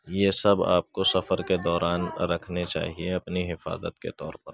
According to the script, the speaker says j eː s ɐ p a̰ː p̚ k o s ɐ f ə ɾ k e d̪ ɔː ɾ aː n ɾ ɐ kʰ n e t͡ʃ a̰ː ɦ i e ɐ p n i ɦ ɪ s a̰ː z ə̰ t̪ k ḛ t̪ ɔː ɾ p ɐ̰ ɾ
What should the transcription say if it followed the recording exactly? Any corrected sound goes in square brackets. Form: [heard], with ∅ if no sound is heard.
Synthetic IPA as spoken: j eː s ɐ [b] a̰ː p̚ k o s ɐ f ə ɾ k e d̪ ɔː ɾ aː n ɾ ɐ kʰ n e t͡ʃ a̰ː ɦ i e ɐ p n i ɦ ɪ [f] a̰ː z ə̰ t̪ k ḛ t̪ ɔː ɾ p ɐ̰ ɾ